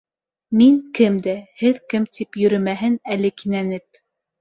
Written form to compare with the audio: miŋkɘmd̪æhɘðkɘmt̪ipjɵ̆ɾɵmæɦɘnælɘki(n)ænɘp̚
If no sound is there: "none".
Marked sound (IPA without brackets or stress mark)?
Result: n